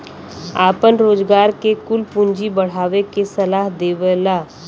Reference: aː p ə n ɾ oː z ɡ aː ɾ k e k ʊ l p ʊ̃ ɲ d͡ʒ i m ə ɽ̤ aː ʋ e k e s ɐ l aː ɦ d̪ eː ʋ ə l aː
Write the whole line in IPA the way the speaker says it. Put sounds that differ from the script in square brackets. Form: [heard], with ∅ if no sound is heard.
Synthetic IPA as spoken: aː p ə n ɾ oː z ɡ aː ɾ k e k ʊ l p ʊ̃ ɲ d͡ʒ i [b] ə ɽ̤ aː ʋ e k e s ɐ l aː ɦ d̪ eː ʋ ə l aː